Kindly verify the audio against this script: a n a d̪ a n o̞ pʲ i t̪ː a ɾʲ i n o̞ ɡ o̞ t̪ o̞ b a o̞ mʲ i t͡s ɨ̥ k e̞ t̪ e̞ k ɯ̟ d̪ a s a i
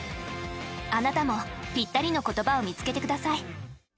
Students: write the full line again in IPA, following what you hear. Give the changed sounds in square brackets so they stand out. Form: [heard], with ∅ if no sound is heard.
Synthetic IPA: a n a [t̪] a [m] o̞ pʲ i t̪ː a ɾʲ i n o̞ [k] o̞ t̪ o̞ b a o̞ mʲ i t͡s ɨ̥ k e̞ t̪ e̞ k ɯ̟ d̪ a s a i